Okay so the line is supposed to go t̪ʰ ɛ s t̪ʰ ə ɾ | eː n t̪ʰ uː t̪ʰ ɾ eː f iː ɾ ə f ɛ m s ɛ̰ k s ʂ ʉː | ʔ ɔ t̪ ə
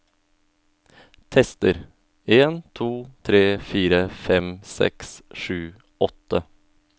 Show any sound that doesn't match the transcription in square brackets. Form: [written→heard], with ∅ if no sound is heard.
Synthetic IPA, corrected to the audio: t̪ʰ ɛ s [t̪ʰ→t̪] ə ɾ | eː n t̪ʰ uː t̪ʰ ɾ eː f iː ɾ ə f ɛ m s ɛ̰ k s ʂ ʉː | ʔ ɔ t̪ ə